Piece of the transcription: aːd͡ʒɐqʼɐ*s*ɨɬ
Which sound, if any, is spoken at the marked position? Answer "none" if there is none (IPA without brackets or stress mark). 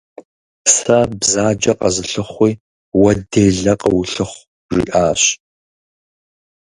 z